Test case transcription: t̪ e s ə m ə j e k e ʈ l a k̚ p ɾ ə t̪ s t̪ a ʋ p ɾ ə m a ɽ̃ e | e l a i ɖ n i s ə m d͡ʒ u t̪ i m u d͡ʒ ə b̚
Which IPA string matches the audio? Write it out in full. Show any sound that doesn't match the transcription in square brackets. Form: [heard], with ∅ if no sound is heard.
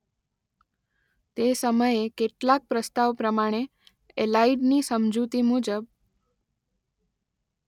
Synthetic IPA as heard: t̪ e s ə m ə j e k e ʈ l a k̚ p ɾ ə [∅] s t̪ a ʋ p ɾ ə m a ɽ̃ e | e l a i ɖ n i s ə m d͡ʒ u t̪ i m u d͡ʒ ə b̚